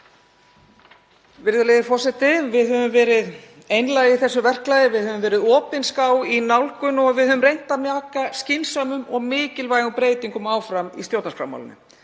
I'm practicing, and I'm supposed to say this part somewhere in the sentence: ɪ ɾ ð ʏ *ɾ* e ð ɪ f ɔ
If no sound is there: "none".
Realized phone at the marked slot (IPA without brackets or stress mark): l